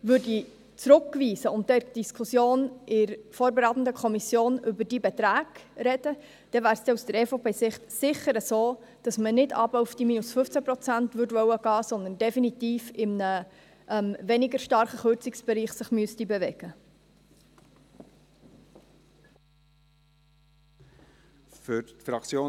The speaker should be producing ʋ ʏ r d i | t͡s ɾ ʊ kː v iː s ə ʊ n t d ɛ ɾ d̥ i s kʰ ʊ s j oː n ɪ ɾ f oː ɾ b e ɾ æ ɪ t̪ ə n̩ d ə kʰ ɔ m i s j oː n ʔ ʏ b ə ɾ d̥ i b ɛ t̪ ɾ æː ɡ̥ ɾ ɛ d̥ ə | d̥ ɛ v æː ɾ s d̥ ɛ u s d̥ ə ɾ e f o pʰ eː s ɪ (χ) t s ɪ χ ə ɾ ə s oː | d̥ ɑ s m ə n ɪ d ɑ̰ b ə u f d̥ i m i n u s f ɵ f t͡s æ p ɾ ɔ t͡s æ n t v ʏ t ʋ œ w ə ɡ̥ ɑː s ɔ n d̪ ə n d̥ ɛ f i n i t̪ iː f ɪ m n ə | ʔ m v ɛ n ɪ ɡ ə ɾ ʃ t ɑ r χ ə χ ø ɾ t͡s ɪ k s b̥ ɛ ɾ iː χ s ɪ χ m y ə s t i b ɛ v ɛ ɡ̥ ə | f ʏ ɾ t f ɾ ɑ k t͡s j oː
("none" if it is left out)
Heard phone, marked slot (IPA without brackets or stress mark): χ